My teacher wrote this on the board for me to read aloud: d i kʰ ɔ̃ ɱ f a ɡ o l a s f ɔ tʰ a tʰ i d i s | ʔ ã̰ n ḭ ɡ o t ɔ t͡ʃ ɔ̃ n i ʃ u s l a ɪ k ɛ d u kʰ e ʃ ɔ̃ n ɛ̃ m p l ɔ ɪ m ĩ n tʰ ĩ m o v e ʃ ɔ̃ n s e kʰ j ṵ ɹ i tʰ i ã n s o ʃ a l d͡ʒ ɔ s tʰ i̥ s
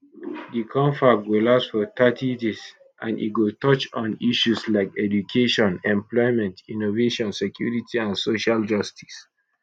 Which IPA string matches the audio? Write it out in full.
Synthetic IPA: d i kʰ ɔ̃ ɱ f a ɡ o l a s f ɔ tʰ a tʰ i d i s | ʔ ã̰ n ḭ ɡ o t ɔ t͡ʃ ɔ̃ n i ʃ u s l a ɪ k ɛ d u kʰ e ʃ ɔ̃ n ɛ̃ m p l ɔ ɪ m ɛ̃ n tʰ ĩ n o v e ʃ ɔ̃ n s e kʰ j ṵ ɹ i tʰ i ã n s o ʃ a l d͡ʒ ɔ s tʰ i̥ s